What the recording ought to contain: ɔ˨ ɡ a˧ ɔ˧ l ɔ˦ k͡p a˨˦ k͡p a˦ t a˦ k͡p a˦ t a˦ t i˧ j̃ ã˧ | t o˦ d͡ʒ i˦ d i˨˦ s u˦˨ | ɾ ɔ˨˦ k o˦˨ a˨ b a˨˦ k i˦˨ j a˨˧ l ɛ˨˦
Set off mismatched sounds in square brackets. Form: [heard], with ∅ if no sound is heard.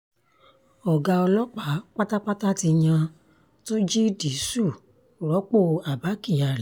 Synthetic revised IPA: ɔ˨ ɡ a˧ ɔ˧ l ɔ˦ k͡p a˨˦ k͡p a˦ t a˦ k͡p a˦ t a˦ t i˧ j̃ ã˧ | t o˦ d͡ʒ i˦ d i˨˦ s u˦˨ | ɾ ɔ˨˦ [k͡p] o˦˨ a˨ b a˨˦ k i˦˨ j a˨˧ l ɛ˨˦